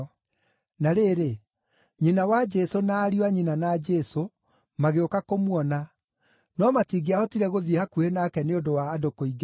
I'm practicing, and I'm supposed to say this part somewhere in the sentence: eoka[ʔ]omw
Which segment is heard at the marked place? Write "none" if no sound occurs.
k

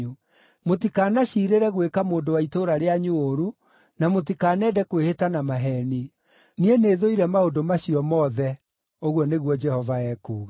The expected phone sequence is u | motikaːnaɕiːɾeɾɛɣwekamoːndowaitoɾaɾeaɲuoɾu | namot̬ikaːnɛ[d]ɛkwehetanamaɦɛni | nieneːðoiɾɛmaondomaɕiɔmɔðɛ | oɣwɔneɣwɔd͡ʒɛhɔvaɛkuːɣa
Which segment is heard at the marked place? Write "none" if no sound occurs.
d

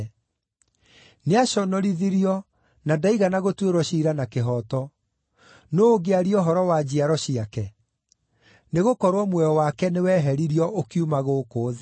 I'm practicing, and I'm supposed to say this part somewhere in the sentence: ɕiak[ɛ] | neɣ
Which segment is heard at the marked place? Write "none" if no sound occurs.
ɛ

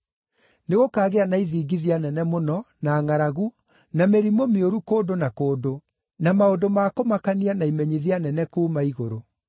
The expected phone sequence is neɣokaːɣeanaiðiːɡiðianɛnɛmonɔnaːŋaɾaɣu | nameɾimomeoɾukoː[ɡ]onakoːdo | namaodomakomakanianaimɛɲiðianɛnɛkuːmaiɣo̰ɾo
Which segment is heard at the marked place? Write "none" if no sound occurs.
d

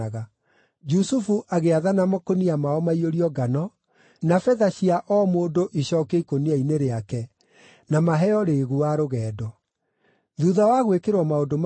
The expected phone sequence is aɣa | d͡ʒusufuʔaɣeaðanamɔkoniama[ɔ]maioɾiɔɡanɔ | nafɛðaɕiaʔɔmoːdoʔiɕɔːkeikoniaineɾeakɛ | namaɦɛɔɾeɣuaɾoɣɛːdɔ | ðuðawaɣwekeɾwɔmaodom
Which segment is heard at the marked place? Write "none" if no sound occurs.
ɔ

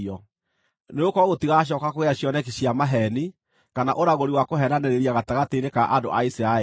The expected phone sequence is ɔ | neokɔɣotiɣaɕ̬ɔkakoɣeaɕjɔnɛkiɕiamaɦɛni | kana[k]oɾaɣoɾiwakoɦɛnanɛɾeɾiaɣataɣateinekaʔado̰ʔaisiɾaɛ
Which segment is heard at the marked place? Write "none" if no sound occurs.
ʔ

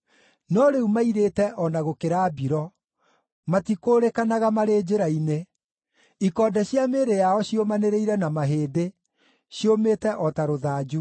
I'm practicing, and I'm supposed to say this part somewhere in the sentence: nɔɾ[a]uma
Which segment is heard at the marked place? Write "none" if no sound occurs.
e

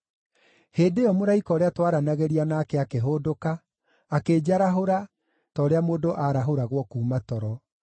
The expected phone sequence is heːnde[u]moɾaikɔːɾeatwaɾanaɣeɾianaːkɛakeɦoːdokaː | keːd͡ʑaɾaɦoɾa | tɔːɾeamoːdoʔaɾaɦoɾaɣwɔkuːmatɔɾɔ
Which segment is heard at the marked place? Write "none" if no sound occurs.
ɔ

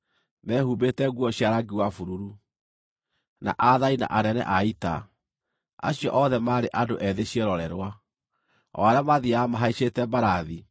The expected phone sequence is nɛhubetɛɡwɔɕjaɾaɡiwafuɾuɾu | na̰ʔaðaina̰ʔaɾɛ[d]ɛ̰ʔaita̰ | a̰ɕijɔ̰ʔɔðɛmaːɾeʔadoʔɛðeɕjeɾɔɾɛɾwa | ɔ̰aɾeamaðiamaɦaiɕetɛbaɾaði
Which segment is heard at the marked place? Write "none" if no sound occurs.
n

